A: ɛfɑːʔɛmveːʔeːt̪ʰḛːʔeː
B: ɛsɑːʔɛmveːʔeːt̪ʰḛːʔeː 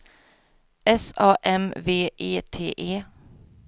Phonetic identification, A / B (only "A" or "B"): B